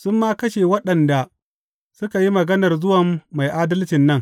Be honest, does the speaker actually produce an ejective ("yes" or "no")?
no